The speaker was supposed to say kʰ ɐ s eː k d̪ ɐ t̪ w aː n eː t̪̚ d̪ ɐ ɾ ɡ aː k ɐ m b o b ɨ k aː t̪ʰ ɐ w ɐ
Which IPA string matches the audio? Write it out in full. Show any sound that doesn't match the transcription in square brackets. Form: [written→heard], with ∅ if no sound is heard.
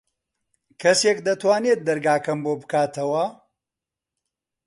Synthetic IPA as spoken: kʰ ɐ s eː k d̪ ɐ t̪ w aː n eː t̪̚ d̪ ɐ ɾ ɡ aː k ɐ m b o b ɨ k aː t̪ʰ ɐ w ɐ